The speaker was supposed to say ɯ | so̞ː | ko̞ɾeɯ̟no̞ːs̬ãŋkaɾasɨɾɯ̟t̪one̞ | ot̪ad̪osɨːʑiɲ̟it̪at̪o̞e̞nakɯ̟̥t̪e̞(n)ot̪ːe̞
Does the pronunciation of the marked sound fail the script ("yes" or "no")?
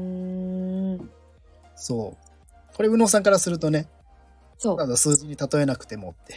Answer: yes